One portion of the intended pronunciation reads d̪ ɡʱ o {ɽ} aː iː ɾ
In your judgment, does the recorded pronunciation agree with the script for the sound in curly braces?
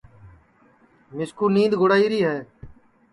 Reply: yes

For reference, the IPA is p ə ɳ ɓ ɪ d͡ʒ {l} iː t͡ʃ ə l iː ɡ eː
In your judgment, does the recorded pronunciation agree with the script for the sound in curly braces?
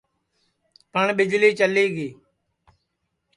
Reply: yes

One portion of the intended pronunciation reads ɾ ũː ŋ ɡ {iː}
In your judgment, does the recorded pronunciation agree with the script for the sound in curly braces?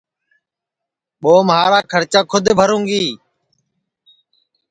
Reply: yes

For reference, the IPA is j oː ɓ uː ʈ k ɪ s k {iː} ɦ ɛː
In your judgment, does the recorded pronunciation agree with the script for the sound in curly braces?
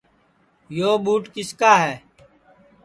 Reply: no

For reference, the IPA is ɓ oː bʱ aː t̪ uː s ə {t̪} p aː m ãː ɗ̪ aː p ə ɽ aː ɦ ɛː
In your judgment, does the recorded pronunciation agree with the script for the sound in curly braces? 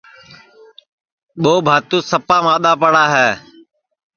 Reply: no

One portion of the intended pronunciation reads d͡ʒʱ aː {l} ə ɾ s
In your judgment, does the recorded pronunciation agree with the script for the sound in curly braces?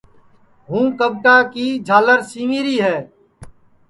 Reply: yes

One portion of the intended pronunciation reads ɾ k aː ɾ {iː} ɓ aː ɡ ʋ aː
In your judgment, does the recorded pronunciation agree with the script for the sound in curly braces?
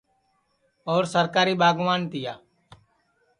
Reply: yes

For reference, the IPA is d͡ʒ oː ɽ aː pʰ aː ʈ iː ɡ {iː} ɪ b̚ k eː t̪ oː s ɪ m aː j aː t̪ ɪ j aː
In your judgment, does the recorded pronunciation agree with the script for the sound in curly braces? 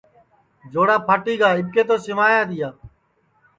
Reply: no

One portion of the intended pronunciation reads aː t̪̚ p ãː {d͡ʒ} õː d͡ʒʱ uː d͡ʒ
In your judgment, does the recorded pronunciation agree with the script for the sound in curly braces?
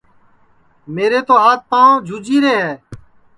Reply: no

